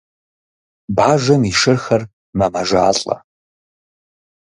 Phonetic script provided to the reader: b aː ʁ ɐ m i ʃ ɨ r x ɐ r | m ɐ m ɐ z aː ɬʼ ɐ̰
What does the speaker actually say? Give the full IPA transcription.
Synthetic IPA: b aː ʒ ɐ m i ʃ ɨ r x ɐ r | m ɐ m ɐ ʒ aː ɬʼ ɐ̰